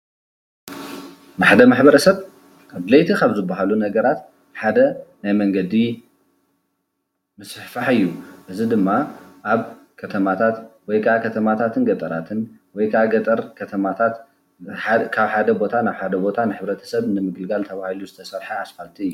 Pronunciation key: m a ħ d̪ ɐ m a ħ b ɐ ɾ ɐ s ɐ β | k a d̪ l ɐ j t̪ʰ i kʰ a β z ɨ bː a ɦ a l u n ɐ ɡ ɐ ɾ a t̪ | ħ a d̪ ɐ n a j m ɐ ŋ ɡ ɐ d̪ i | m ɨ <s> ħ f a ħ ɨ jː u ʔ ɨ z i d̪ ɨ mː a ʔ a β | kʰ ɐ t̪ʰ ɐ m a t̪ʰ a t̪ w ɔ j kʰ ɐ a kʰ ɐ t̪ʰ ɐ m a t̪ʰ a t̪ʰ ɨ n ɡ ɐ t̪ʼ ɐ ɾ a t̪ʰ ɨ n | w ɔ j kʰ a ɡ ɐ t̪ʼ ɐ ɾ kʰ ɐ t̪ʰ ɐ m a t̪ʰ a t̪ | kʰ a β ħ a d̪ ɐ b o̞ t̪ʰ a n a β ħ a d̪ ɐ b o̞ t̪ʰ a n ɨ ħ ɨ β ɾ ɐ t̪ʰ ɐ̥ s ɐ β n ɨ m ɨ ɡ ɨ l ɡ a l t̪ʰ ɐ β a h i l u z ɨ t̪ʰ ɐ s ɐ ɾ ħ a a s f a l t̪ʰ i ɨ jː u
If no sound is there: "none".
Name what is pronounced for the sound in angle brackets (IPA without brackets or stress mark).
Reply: s